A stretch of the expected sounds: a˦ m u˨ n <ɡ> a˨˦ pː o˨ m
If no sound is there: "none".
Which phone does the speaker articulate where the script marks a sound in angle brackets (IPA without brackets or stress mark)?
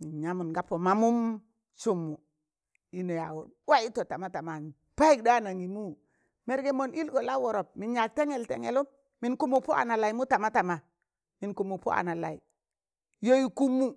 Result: ɡ